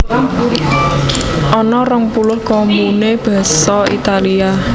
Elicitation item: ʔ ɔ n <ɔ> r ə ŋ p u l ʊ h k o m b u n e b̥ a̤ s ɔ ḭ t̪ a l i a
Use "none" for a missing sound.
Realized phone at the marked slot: ɔ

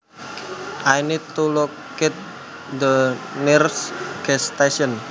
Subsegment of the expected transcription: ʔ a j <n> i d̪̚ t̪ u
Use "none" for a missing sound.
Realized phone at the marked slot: n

